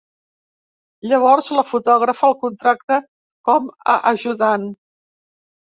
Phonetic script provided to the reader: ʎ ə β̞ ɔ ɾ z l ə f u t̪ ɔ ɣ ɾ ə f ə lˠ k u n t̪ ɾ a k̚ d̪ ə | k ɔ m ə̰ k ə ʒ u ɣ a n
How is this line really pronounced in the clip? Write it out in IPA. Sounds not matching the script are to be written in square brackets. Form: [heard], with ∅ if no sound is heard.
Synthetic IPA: ʎ ə β̞ ɔ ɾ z l ə f u t̪ ɔ ɣ ɾ ə f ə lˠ k u n t̪ ɾ a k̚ [t̪] ə | k ɔ m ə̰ [ʔ] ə ʒ u [ð] a n